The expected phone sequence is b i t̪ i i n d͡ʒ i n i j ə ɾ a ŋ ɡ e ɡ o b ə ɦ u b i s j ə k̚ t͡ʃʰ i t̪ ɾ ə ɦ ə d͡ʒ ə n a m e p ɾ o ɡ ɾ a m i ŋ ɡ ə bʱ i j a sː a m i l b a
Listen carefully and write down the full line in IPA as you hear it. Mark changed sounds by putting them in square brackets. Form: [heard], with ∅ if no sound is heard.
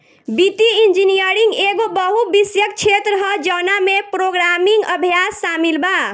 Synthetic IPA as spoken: b i t̪ i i n d͡ʒ i n i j ə ɾ [i] ŋ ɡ e ɡ o b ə ɦ u b i s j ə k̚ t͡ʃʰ [e] t̪ ɾ ə ɦ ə d͡ʒ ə n a m e p ɾ o ɡ ɾ a m i ŋ ɡ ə bʱ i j a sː a m i l b a